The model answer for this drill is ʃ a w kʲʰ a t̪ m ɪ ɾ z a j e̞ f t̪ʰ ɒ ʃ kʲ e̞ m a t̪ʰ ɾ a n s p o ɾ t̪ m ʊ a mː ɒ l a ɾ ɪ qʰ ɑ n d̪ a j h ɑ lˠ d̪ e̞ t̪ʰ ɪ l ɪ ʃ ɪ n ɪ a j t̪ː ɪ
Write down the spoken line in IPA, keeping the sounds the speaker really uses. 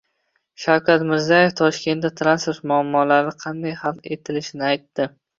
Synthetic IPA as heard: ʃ a w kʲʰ a t̪ m ɪ ɾ z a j e̞ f t̪ʰ ɒ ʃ kʲ e̞ n a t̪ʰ ɾ a n s p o ɾ t̪ m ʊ a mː ɒ l a ɾ ɪ qʰ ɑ n d̪ a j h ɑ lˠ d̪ e̞ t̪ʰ ɪ l ɪ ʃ ɪ n ɪ a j t̪ː ɪ